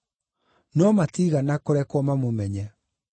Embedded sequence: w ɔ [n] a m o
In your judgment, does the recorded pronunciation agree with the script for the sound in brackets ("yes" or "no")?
no